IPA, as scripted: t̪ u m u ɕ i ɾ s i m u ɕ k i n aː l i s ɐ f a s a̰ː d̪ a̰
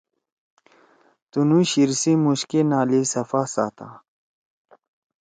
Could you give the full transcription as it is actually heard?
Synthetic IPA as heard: t̪ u n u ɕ i ɾ s i m u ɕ k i n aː l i s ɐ f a s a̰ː t̪ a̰

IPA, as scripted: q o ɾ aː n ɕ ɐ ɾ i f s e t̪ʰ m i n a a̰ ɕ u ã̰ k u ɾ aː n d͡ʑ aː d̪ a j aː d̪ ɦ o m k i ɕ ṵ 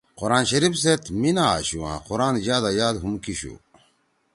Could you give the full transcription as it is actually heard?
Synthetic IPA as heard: q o ɾ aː n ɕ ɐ ɾ i f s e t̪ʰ m i n a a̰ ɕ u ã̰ q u ɾ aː n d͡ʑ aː d̪ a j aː d̪ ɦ u m k i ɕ ṵ

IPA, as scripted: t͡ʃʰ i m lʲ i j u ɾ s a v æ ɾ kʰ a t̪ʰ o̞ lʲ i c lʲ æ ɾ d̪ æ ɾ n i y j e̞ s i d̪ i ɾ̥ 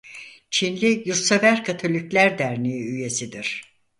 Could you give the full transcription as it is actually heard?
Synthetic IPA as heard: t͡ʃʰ i n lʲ i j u ɾ s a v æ ɾ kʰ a t̪ʰ o̞ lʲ i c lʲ æ ɾ d̪ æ ɾ n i y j e̞ s i d̪ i ɾ̥

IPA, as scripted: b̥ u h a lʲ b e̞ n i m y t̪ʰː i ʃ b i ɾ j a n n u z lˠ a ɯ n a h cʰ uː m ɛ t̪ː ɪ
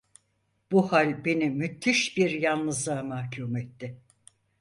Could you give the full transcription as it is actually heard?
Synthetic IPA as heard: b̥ u h a lʲ b e̞ n i m y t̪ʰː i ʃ b i ɾ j a n n ɯ z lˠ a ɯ m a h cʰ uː m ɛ t̪ː ɪ

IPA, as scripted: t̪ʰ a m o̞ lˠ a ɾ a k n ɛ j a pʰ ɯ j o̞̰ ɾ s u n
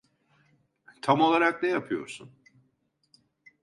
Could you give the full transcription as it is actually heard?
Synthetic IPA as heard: t̪ʰ a m o̞ lˠ a ɾ a k n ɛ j a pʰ ɯ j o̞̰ ɾ s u n

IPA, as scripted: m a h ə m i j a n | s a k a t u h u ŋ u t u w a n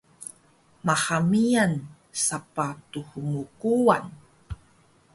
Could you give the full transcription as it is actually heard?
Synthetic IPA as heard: m a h a m i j a n | s a p a t u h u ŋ u k u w a n

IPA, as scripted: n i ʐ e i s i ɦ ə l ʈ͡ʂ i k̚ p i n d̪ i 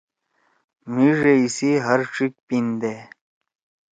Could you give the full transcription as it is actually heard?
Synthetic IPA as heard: m i ʐ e i s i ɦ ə ɾ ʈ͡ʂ i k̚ p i n d̪ e

